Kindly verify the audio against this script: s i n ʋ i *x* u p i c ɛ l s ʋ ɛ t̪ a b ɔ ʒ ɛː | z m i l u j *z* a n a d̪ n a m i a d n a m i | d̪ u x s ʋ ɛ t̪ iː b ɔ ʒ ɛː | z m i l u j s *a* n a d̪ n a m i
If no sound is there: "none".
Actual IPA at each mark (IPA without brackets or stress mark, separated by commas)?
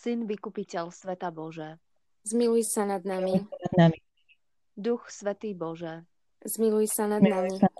k, s, a